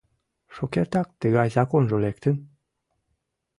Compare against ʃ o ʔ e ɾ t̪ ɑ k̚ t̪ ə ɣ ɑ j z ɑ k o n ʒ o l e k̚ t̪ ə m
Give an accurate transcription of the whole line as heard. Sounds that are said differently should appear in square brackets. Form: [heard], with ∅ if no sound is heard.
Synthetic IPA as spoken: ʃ o [k] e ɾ t̪ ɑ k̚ t̪ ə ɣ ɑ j z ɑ k o n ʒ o l e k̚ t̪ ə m